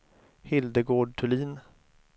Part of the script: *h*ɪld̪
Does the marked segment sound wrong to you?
no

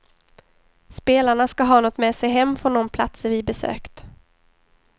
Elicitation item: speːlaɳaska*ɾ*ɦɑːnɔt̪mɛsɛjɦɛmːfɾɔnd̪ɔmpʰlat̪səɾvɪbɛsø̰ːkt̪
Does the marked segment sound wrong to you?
yes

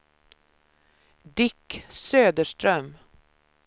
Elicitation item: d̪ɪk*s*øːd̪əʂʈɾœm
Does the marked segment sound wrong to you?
no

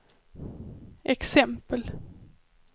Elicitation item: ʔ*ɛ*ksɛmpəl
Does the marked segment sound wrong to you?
no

